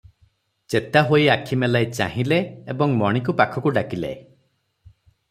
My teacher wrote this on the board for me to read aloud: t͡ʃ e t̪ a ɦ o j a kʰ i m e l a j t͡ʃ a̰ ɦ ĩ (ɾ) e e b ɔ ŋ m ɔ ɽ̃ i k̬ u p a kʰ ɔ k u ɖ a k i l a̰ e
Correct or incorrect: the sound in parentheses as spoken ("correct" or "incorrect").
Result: incorrect